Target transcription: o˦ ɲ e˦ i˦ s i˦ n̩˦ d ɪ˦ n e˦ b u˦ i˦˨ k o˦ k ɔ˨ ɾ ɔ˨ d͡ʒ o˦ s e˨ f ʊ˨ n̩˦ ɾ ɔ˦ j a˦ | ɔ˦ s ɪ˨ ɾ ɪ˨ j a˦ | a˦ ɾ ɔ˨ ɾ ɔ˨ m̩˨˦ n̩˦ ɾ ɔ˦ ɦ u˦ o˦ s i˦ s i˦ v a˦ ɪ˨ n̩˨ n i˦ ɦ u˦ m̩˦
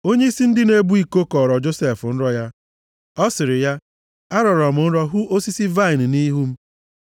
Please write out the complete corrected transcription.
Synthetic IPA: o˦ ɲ e˦ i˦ s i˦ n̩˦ d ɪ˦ n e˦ b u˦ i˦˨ k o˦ k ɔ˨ ɾ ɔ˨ d͡ʒ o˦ s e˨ f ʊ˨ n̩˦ ɾ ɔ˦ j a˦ | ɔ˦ s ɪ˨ ɾ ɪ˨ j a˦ | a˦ ɾ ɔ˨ ɾ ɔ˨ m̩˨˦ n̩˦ ɾ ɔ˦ ɦ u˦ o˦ s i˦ s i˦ v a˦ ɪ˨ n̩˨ n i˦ ɦ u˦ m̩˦

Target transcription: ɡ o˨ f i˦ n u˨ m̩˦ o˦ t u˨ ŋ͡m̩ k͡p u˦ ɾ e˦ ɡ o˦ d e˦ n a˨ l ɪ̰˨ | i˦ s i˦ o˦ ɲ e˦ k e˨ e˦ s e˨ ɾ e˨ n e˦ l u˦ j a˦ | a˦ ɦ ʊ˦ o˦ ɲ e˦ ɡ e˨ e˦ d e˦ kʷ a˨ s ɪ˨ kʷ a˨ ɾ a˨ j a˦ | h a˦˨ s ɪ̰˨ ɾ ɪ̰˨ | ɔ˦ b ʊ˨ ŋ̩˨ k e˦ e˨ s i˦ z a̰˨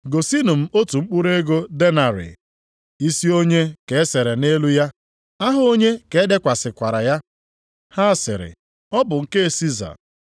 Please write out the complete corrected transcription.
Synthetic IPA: ɡ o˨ s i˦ n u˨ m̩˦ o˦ t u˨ ŋ͡m̩ k͡p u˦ ɾ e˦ ɡ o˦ d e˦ n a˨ ɾ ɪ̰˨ | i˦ s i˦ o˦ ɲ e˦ k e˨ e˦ s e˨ ɾ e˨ n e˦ l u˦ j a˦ | a˦ ɦ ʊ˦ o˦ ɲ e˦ k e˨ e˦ d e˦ kʷ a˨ s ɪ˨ kʷ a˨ ɾ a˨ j a˦ | h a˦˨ s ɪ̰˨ ɾ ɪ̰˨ | ɔ˦ b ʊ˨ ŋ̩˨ k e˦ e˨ s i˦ z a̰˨

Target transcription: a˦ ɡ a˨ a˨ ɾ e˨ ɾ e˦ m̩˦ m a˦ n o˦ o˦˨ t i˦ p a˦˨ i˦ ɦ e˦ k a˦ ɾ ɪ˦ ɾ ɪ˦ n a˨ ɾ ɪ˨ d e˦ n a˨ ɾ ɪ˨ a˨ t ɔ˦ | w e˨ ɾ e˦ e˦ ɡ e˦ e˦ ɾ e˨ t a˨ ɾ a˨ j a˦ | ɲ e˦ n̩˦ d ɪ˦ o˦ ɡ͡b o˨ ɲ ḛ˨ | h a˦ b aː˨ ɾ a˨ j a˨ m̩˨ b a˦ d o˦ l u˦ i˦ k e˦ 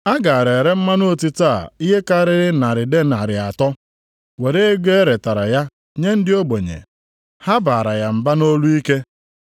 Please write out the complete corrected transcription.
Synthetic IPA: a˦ ɡ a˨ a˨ ɾ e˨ ɾ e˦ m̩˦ m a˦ n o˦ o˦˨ t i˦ t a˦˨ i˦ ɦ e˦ k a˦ ɾ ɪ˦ ɾ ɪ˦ n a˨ ɾ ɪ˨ d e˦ n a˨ ɾ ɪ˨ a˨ t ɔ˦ | w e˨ ɾ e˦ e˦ ɡ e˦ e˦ ɾ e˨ t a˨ ɾ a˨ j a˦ | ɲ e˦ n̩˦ d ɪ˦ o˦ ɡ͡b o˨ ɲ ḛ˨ | h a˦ b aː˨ ɾ a˨ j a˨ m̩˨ b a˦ n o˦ l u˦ i˦ k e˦

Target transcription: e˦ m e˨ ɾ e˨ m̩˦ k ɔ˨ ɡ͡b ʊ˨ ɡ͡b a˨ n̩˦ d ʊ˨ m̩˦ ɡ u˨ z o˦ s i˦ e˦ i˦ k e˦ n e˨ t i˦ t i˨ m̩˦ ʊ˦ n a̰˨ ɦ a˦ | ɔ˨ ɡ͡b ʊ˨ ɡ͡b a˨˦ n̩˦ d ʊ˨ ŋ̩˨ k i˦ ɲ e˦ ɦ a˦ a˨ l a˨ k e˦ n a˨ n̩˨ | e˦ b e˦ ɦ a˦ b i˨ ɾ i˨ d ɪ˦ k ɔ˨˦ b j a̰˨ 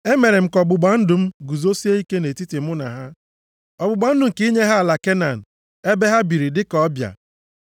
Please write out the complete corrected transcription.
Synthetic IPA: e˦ m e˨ ɾ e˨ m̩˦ k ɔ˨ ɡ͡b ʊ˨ ɡ͡b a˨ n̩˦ d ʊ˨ m̩˦ ɡ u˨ z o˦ s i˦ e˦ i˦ k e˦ n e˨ t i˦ t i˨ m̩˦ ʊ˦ n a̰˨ ɦ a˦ | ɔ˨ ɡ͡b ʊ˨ ɡ͡b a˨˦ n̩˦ d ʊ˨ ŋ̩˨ k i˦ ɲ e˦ ɦ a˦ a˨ l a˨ k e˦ n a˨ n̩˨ | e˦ b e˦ ɦ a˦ b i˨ ɾ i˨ d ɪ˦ k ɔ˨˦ b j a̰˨

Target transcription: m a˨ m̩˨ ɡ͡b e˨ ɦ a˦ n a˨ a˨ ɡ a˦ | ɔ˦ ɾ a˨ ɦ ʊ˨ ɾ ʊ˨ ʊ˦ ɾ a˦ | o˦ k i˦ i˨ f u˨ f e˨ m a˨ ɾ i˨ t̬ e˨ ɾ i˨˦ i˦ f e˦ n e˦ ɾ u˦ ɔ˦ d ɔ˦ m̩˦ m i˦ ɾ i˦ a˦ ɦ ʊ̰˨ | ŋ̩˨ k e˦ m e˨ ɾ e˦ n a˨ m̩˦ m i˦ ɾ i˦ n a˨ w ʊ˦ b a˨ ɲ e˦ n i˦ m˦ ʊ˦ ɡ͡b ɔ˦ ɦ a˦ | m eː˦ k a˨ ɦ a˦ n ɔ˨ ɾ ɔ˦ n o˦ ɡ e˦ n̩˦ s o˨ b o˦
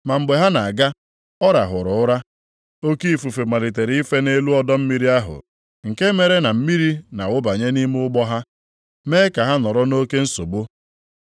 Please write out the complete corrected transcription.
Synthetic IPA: m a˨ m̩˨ ɡ͡b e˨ ɦ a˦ n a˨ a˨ ɡ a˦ | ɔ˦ ɾ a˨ ɦ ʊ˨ ɾ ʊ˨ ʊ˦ ɾ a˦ | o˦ k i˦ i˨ f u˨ f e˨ m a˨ ɾ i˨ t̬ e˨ ɾ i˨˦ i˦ f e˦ n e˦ l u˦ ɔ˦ d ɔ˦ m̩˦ m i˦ ɾ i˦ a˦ ɦ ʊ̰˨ | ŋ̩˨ k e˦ m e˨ ɾ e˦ n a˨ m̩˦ m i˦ ɾ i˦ n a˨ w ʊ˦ b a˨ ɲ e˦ n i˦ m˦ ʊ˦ ɡ͡b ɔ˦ ɦ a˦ | m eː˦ k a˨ ɦ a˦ n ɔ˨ ɾ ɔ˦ n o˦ k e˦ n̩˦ s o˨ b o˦

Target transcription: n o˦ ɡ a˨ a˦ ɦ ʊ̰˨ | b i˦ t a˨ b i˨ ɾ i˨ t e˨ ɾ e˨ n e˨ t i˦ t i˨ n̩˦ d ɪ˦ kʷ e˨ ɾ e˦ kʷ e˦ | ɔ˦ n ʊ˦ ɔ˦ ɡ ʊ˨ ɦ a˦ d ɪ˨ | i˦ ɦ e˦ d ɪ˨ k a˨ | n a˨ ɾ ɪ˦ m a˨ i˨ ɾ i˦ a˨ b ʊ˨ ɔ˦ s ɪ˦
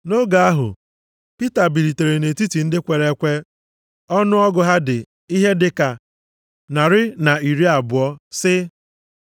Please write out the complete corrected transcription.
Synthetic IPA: n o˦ ɡ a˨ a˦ ɦ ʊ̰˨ | p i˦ t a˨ b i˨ ɾ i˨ t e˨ ɾ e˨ n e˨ t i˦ t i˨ n̩˦ d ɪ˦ kʷ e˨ ɾ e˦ kʷ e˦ | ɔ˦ n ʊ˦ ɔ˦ ɡ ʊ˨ ɦ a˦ d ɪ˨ | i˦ ɦ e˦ d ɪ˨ k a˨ | n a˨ ɾ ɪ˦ n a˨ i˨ ɾ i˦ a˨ b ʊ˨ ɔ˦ s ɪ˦

